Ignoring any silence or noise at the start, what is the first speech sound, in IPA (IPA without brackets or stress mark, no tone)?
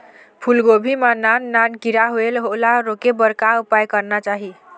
pʰ